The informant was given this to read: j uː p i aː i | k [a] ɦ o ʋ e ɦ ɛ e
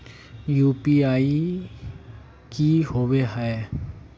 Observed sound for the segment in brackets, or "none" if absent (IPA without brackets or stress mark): i